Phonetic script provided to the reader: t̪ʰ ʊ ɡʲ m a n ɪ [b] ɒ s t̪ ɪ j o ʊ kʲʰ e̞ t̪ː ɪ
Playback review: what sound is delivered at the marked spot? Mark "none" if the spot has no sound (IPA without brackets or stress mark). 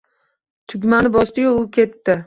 b